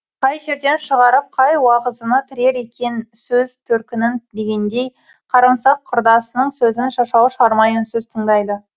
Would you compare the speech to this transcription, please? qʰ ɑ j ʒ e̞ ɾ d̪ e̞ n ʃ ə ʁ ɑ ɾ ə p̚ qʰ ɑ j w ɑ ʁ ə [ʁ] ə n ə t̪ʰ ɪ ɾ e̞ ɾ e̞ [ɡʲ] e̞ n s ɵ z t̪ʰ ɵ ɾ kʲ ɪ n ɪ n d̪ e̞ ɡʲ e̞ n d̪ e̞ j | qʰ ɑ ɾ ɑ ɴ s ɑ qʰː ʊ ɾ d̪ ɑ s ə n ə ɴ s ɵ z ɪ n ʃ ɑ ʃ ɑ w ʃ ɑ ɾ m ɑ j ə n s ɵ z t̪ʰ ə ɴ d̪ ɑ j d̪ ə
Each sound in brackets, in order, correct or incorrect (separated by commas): incorrect, incorrect